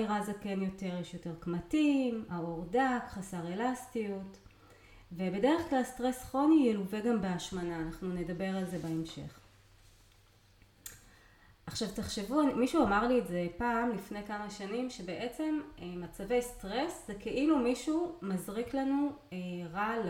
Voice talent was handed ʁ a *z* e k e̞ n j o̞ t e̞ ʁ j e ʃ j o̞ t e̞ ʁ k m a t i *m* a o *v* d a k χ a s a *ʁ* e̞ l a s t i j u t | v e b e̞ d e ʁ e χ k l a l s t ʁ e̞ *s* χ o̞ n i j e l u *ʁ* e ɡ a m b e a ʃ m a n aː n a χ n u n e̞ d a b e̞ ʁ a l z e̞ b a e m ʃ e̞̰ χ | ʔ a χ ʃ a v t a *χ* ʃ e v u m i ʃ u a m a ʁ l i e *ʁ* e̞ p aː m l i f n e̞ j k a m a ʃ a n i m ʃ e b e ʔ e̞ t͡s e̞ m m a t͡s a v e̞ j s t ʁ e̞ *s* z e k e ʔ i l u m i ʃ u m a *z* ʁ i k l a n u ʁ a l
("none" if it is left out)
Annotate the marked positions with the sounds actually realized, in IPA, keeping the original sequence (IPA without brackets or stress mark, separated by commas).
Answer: z, m, ʁ, ʁ, s, v, χ, z, s, z